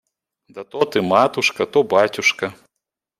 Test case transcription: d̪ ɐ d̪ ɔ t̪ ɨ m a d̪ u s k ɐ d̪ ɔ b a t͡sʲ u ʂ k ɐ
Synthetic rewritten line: d̪ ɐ t̪ ɔ t̪ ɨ m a t̪ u ʂ k ɐ t̪ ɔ b a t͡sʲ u ʂ k ɐ